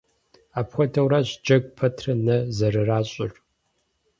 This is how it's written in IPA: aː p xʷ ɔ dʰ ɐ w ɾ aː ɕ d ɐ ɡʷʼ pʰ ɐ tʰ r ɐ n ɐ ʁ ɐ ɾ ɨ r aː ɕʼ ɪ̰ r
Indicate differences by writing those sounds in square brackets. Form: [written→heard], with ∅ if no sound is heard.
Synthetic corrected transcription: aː p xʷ ɔ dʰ ɐ w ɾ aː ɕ [d→d͡ʒ] ɐ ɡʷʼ pʰ ɐ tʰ r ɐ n ɐ [ʁ→z] ɐ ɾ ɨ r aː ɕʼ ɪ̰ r